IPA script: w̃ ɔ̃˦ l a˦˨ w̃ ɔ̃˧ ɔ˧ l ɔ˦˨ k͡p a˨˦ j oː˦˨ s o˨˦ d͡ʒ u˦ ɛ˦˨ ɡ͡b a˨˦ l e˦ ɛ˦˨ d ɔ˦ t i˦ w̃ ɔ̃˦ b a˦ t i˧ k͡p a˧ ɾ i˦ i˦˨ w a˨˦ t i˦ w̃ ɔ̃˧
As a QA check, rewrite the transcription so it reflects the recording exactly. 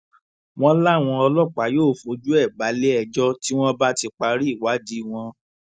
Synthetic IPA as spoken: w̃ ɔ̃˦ l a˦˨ w̃ ɔ̃˧ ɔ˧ l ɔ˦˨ k͡p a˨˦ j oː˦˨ f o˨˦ d͡ʒ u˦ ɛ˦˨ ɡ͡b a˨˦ l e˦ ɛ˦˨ d͡ʒ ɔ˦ t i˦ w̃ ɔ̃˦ b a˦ t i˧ k͡p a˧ ɾ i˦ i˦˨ w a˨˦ d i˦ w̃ ɔ̃˧